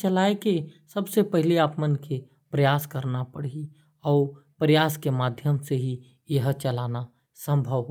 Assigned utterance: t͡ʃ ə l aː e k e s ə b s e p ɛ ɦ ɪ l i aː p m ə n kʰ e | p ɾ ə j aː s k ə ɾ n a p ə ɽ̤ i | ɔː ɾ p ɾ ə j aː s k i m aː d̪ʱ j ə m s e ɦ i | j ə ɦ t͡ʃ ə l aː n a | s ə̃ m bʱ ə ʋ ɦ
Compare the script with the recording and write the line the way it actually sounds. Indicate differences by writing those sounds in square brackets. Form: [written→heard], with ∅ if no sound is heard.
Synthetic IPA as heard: t͡ʃ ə l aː e k e s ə b s e p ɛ ɦ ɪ l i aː p m ə n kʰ e | p ɾ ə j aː s k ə ɾ n a p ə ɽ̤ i | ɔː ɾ p ɾ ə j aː s k [i→e] m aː d̪ʱ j ə m s e ɦ i | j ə ɦ t͡ʃ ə l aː n a | s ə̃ m bʱ ə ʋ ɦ